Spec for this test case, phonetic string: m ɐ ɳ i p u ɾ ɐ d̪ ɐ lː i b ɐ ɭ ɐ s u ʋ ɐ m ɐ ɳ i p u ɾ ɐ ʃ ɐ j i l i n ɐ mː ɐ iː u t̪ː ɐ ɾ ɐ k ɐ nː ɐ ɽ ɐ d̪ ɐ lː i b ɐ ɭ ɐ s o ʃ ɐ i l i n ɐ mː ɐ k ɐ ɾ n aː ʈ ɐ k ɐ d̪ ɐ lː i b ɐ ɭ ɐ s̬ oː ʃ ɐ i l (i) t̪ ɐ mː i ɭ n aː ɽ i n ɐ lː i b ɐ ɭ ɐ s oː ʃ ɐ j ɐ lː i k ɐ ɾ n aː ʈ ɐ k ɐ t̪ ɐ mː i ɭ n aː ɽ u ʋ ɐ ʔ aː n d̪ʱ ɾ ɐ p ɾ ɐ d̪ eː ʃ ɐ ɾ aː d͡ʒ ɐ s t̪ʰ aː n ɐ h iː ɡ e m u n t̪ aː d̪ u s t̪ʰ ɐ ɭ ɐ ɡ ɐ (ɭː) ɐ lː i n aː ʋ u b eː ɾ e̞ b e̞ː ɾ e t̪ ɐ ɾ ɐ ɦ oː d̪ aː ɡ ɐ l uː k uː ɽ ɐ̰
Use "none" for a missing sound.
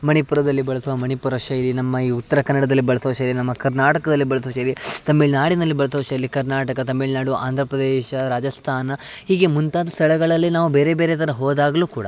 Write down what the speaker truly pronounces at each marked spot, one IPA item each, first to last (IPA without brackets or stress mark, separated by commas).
i, ɭ